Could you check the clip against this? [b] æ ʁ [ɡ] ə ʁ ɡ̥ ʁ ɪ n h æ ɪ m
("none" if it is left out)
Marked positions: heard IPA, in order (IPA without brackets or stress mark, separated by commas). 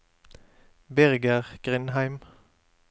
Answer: b, ɡ